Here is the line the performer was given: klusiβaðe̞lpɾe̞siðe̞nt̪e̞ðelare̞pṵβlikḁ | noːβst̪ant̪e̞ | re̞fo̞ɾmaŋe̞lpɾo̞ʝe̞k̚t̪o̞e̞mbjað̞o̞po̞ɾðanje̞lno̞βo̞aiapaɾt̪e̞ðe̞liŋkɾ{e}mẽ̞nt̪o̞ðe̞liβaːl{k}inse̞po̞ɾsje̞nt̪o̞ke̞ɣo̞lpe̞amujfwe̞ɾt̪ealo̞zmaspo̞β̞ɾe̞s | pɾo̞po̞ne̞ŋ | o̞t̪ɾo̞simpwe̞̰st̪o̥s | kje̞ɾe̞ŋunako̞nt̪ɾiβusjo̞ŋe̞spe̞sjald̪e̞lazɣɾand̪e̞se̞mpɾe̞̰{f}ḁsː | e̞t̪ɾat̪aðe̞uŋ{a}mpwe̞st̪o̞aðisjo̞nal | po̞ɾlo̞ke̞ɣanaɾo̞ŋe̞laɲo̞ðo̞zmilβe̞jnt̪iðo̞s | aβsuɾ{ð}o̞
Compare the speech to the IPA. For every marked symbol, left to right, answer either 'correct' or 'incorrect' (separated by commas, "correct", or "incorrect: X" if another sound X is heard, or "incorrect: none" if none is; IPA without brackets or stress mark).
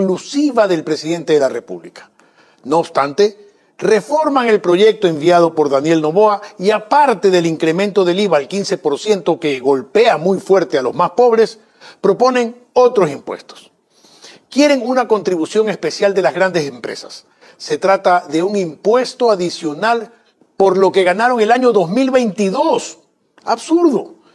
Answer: correct, correct, incorrect: s, incorrect: i, correct